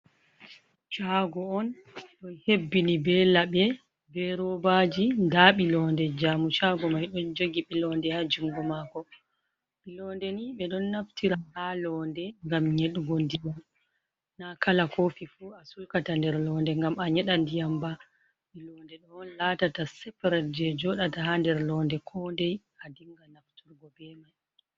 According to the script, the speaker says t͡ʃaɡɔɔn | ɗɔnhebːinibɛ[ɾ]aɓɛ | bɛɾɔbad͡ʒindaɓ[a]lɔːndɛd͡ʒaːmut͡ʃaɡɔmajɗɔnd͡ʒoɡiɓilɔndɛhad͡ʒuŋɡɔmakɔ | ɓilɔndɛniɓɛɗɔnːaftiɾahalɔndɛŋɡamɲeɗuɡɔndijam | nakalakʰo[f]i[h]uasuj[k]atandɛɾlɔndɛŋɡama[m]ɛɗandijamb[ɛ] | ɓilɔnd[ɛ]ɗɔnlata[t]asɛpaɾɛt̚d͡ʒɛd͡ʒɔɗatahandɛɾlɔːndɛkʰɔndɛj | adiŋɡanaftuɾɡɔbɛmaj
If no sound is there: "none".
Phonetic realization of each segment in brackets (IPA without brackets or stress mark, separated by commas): l, i, f, f, k, ɲ, a, ɛ, t